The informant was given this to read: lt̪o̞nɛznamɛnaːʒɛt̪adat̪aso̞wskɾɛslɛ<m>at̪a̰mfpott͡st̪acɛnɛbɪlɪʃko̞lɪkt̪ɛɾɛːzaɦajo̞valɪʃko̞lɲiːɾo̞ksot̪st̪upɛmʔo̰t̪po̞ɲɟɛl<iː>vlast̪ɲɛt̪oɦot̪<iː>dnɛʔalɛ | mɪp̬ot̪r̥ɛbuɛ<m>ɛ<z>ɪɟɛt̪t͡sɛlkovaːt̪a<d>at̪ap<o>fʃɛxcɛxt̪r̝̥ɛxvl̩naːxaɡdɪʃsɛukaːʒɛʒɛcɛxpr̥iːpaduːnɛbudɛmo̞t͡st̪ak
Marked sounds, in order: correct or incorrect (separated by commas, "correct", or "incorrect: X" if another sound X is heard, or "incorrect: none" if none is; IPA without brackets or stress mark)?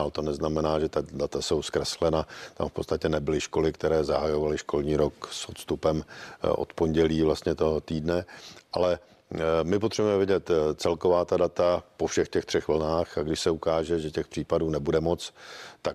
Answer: incorrect: n, correct, correct, correct, incorrect: v, correct, correct